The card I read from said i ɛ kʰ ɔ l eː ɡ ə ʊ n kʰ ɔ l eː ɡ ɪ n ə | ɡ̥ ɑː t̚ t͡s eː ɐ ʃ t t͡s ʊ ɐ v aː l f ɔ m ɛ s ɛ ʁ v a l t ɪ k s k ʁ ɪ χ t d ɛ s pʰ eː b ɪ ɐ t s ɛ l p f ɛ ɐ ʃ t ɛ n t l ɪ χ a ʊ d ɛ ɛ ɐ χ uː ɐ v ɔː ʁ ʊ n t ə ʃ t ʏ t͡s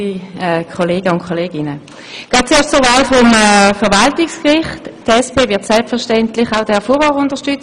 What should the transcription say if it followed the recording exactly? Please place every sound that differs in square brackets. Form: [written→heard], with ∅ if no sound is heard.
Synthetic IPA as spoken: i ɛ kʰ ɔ l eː ɡ ə ʊ n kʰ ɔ l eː ɡ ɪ n ə | ɡ̥ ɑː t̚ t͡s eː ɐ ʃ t t͡s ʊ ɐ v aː l f ɔ m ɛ [s→f] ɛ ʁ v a l t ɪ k s k ʁ ɪ χ t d ɛ s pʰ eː [b→v] ɪ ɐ t s ɛ l p f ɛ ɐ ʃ t ɛ n t l ɪ χ a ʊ d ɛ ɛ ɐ [χ→f] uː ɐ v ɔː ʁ ʊ n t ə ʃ t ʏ t͡s